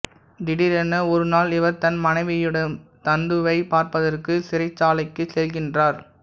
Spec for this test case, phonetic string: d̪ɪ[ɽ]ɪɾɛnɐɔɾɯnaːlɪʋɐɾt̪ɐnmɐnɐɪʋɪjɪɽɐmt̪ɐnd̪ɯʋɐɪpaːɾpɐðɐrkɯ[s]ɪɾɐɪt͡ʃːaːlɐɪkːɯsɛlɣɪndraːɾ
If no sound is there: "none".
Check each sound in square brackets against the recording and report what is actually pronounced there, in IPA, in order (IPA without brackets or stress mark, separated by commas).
ɽ, s